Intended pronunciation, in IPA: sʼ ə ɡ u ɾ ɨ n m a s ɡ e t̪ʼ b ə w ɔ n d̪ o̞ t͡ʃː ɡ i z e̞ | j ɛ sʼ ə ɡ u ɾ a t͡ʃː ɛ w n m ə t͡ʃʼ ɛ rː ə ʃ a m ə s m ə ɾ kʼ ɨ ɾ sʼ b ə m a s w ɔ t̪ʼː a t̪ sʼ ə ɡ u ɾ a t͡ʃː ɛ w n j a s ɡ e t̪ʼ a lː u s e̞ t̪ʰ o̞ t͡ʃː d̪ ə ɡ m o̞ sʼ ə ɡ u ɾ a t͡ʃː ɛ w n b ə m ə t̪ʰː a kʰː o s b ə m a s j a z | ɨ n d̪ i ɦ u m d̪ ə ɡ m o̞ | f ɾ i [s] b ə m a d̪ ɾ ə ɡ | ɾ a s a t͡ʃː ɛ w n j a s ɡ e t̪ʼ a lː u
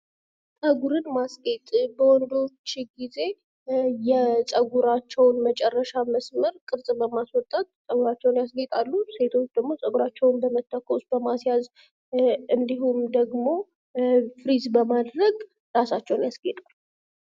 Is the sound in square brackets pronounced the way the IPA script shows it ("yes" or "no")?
no